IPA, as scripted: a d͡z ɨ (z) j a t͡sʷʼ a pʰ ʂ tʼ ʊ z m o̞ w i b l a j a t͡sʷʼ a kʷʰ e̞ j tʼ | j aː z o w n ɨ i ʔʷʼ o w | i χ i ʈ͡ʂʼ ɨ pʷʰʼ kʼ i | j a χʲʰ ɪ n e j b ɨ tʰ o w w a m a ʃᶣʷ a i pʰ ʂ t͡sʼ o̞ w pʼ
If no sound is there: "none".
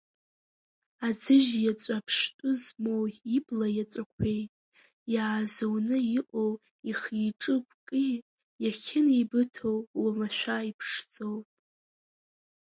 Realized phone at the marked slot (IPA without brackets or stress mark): ʒ